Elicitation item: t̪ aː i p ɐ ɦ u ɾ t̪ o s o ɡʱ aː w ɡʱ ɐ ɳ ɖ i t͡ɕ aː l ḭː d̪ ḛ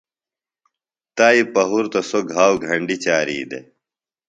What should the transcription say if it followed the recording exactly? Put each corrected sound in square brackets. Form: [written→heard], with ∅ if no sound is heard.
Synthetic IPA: t̪ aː i p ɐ ɦ u ɾ t̪ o s o ɡʱ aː w ɡʱ ɐ ɳ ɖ i t͡ɕ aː [l→ɾ] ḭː d̪ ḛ